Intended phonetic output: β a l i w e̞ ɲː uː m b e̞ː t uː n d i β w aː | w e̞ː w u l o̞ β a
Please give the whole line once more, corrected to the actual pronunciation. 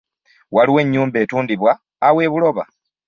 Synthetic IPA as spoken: w a l i w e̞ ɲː uː m b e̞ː t uː n d i β w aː | w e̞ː β u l o̞ β a